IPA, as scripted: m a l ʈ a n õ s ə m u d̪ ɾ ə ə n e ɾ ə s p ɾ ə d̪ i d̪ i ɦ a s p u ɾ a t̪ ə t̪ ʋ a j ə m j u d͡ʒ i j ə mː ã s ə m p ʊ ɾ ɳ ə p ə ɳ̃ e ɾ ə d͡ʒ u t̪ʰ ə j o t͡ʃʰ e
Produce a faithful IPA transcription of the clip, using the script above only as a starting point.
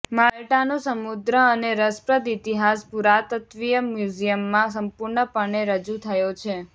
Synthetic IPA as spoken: m a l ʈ a n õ s ə m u d̪ ɾ ə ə n e ɾ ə s p ɾ ə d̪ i t̪ i ɦ a s p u ɾ a t̪ ə t̪ ʋ i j ə m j u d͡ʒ i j ə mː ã s ə m p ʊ ɾ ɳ ə p ə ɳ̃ e ɾ ə d͡ʒ u t̪ʰ ə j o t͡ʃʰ e